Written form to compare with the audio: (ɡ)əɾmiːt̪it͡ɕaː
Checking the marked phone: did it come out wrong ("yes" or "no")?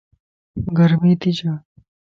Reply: no